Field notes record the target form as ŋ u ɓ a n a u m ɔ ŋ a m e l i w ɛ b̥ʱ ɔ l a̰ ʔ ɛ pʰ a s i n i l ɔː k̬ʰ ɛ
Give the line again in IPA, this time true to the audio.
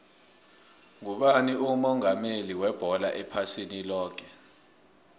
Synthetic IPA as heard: ŋ u ɓ a n i u m ɔ ŋ a m e l i w ɛ b̥ʱ ɔ l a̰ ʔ ɛ pʰ a s i n i l ɔː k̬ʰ ɛ